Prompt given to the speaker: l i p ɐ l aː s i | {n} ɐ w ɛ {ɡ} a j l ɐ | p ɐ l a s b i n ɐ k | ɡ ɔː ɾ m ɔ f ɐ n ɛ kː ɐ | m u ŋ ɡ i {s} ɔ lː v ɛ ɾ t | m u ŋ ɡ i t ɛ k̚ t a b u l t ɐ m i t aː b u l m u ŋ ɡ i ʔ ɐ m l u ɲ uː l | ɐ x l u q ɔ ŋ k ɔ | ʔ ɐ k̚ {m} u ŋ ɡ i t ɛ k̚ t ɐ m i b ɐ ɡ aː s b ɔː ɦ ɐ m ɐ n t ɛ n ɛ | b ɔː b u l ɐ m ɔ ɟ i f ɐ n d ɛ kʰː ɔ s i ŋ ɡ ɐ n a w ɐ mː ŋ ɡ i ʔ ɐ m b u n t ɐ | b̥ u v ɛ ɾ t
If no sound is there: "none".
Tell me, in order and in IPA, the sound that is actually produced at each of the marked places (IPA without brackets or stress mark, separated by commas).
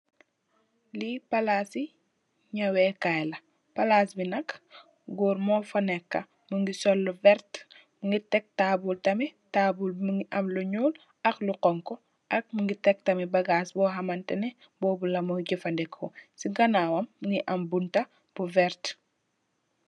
ɲ, k, s, m